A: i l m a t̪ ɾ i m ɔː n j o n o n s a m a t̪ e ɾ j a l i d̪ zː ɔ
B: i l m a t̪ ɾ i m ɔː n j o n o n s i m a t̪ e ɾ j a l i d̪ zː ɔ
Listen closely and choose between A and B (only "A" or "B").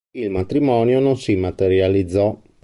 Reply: B